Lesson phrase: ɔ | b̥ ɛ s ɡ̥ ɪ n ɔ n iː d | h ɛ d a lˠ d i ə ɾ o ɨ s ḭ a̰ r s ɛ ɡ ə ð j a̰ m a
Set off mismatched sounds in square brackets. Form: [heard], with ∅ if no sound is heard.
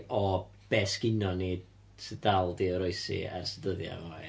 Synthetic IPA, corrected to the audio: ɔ | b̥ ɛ s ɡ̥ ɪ n ɔ n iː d | [s] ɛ d a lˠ d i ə ɾ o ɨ s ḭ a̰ r s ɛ [d] ə ð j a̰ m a